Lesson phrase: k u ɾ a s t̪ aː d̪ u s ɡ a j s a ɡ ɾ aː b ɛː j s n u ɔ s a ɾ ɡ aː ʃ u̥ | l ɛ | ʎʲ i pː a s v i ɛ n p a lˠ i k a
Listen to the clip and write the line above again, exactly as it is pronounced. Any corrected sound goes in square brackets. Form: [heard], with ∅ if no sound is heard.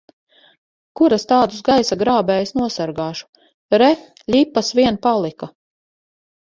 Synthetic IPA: k u ɾ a s t̪ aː d̪ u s ɡ a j s a ɡ ɾ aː b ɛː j s n u ɔ s a ɾ ɡ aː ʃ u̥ | [ɾ] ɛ | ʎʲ i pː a s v i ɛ n p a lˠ i k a